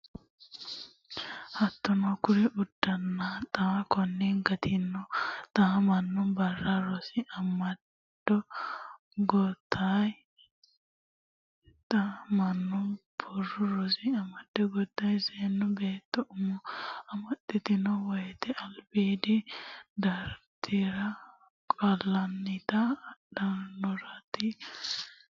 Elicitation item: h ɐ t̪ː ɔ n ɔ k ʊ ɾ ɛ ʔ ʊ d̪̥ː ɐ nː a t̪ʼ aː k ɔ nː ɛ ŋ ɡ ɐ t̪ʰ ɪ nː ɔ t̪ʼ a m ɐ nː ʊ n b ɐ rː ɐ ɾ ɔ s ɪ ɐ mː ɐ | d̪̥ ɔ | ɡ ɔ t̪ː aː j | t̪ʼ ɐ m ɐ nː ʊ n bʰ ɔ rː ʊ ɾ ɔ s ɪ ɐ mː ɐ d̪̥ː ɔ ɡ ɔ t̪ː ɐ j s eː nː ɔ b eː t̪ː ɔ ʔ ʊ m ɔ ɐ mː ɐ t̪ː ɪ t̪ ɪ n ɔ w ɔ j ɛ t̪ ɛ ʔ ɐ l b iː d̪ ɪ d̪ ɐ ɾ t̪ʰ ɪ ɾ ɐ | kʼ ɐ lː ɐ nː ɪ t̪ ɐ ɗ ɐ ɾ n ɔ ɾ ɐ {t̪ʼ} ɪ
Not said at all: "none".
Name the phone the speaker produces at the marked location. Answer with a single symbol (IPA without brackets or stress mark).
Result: t̪